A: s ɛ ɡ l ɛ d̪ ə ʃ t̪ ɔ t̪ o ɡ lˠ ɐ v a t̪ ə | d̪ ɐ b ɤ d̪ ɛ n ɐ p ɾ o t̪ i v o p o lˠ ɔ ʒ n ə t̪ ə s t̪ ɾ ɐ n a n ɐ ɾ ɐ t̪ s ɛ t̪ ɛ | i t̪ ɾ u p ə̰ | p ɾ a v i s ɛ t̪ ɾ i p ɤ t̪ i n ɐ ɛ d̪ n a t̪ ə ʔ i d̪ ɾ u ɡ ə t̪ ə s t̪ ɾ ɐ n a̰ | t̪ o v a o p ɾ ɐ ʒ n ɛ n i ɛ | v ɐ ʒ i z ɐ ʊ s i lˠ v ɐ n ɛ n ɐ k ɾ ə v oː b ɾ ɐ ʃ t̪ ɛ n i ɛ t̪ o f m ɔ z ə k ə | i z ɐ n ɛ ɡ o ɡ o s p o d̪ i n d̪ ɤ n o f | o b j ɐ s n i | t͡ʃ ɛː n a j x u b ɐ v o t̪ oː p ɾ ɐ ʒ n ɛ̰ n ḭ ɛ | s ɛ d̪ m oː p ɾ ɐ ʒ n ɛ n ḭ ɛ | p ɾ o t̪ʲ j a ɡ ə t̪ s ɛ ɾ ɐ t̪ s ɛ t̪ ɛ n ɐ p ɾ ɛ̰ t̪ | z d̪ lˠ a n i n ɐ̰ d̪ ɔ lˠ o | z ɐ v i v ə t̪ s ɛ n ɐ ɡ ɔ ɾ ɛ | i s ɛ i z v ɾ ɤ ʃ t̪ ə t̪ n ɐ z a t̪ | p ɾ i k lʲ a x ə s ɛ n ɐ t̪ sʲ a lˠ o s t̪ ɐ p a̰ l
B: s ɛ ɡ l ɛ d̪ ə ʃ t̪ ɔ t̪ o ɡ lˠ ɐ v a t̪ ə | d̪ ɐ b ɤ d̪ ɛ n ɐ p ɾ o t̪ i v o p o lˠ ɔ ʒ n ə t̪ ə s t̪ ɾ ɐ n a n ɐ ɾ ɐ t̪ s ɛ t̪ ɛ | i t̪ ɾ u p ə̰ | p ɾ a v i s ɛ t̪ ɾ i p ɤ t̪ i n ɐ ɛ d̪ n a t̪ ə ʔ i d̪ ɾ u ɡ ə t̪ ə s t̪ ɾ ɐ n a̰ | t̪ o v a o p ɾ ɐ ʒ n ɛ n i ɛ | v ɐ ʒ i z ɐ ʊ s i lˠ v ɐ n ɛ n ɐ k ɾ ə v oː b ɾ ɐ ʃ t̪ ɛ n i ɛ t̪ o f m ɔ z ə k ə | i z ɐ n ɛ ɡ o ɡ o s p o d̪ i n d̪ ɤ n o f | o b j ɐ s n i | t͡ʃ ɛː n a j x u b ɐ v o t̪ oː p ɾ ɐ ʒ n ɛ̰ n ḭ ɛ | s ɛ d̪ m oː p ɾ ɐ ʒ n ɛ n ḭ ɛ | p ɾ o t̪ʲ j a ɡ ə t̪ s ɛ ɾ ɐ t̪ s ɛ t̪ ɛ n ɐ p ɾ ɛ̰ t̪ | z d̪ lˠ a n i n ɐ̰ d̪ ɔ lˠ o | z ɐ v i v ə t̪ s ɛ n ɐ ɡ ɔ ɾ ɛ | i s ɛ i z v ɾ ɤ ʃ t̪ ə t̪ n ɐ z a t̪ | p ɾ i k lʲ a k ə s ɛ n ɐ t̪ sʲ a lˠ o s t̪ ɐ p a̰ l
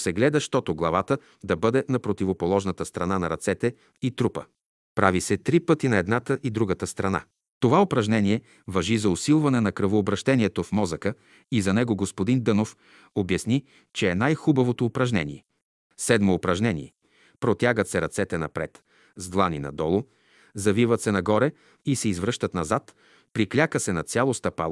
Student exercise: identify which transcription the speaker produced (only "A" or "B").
B